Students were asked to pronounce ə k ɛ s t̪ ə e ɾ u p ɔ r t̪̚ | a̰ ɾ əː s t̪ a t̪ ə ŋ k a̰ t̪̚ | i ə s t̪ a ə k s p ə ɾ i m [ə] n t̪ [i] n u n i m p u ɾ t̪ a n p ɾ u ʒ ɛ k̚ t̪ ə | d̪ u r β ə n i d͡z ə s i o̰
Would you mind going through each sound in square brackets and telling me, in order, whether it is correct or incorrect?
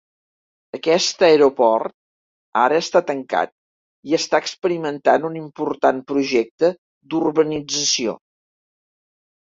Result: correct, incorrect

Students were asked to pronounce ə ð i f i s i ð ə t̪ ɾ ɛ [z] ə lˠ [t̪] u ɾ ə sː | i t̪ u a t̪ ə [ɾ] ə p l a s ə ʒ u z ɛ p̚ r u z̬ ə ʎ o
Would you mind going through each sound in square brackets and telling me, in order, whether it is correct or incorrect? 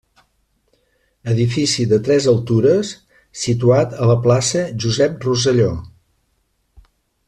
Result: correct, correct, incorrect

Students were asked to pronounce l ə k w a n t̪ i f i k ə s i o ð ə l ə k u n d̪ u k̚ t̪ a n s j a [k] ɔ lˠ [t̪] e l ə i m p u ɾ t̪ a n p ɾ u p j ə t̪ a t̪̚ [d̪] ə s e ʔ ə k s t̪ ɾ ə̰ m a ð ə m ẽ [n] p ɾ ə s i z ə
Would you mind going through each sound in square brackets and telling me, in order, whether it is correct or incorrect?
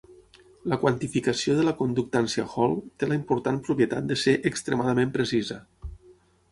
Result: incorrect, correct, correct, incorrect

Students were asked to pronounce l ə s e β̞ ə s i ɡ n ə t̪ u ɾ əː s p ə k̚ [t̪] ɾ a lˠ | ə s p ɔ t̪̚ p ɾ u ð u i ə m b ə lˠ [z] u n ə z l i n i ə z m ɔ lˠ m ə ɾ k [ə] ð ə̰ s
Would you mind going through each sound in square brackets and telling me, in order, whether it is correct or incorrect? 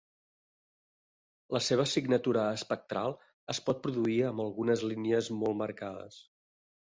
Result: correct, incorrect, incorrect

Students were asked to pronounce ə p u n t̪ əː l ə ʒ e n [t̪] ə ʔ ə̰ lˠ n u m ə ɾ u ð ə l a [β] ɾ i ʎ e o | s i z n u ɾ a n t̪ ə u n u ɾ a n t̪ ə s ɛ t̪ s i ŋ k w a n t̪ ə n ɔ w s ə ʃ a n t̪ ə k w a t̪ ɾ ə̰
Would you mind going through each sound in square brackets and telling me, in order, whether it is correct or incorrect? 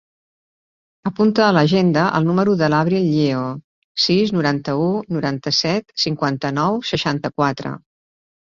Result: incorrect, correct

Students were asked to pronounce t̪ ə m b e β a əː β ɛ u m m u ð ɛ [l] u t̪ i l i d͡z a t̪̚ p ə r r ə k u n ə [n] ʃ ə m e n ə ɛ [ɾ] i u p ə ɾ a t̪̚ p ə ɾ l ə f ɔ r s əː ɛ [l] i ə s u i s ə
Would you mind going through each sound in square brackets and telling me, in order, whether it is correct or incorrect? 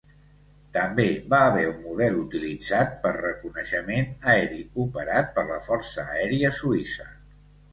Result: correct, incorrect, correct, incorrect

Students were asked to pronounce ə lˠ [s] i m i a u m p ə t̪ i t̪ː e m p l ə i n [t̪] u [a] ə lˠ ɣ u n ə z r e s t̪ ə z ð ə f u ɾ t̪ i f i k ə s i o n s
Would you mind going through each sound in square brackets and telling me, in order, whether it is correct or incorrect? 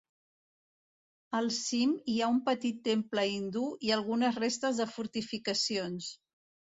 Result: correct, incorrect, incorrect

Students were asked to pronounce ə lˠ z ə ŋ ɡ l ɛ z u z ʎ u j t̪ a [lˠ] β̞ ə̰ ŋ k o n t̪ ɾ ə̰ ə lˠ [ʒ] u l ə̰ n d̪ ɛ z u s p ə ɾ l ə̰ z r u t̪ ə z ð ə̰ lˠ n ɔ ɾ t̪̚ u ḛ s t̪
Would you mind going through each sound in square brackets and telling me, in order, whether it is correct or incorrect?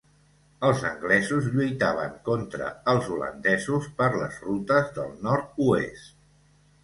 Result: incorrect, incorrect

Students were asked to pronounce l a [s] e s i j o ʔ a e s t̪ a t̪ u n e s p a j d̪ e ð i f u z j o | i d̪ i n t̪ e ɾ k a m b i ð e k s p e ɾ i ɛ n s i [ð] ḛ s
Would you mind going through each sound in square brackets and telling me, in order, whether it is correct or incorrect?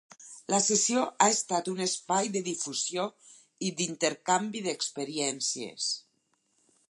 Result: correct, incorrect

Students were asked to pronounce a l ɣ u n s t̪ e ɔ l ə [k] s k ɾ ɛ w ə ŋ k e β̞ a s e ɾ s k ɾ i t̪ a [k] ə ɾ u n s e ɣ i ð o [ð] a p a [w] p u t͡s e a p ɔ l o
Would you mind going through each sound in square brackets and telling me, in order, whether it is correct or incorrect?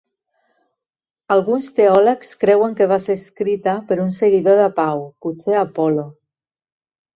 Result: correct, incorrect, correct, correct

